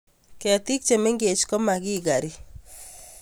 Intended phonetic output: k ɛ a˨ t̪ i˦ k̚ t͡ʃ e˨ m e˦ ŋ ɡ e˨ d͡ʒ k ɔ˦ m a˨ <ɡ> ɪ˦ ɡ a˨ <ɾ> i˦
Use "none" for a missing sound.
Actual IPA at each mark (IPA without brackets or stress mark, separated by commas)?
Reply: ɡ, ɾ